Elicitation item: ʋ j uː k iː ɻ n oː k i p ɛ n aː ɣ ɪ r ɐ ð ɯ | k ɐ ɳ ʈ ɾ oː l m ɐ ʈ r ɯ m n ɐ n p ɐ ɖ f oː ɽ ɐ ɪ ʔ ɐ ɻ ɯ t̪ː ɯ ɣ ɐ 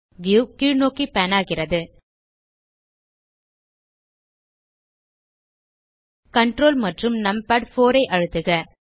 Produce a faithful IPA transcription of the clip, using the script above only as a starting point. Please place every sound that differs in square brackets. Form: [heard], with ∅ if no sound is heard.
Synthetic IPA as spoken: ʋ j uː k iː ɻ n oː k i p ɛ n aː ɣ ɪ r ɐ ð ɯ | k ɐ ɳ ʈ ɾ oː l m ɐ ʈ r ɯ m n ɐ [m] p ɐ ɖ f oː [ɾ] ɐ ɪ ʔ ɐ ɻ ɯ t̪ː ɯ ɣ ɐ